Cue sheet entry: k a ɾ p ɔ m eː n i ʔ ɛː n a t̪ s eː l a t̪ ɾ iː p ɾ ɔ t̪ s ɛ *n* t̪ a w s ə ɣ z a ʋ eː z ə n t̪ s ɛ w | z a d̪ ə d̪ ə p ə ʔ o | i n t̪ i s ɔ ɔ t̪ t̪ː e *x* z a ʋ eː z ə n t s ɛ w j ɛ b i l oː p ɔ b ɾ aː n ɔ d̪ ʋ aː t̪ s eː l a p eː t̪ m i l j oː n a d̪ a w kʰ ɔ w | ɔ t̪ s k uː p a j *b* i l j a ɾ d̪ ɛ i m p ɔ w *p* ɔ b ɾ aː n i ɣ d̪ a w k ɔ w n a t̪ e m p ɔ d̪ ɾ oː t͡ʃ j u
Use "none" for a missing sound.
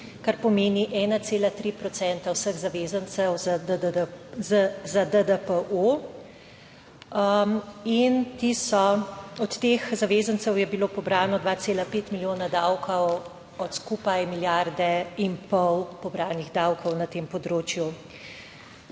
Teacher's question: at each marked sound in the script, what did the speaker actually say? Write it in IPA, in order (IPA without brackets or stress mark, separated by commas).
n, x, m, p